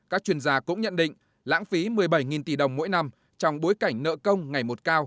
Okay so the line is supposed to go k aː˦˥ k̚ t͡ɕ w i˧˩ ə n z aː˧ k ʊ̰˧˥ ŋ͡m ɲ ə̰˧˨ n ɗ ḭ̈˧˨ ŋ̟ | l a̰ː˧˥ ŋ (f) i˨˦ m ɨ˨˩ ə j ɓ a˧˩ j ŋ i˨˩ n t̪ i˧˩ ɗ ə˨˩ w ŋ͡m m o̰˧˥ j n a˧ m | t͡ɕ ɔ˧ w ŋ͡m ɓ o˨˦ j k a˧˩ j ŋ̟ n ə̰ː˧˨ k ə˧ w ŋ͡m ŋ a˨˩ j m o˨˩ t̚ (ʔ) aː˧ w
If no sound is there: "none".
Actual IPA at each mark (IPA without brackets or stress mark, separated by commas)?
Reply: f, k